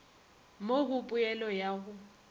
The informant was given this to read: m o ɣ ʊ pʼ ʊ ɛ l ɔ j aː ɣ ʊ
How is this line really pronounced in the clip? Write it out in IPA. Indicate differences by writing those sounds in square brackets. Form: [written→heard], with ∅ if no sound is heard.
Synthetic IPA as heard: m o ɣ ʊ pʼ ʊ ɛ l ɔ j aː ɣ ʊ